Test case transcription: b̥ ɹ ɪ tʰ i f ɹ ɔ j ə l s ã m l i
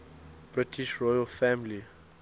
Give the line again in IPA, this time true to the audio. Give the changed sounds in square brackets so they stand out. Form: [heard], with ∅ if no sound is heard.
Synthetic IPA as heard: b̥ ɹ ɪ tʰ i [ʃ] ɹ ɔ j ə l [f] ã m l i